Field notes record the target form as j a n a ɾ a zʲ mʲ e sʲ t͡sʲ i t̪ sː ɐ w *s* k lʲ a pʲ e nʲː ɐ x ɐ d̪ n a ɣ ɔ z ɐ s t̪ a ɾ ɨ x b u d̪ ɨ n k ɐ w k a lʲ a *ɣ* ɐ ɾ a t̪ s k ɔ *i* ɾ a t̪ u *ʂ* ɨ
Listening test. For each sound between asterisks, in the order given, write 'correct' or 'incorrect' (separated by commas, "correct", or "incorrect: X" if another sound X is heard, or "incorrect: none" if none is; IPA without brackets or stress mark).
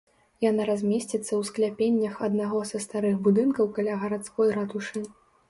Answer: correct, correct, incorrect: j, correct